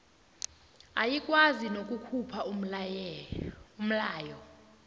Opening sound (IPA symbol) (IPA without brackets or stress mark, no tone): a